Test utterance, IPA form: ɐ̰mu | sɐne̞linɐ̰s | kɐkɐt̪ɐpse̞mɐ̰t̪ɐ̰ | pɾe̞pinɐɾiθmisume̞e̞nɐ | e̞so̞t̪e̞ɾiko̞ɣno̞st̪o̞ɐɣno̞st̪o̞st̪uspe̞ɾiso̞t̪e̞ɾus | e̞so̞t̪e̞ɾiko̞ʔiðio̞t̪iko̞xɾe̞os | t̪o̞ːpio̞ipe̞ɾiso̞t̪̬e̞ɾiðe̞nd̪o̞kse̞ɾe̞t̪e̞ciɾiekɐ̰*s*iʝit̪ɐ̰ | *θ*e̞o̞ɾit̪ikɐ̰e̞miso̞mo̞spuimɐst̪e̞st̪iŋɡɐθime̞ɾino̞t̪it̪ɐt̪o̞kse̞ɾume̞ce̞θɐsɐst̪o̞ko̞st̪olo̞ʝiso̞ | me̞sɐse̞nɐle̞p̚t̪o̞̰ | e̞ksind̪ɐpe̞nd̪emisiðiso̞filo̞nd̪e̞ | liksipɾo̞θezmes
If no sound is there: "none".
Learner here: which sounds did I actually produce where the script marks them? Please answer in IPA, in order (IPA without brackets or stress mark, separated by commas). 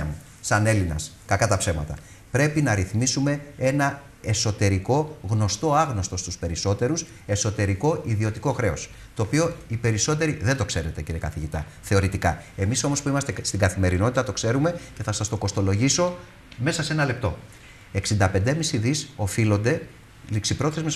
θ, θ